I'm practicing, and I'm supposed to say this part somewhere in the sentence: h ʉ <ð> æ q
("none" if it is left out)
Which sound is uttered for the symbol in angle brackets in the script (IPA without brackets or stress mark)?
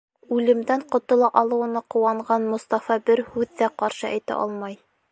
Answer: ðː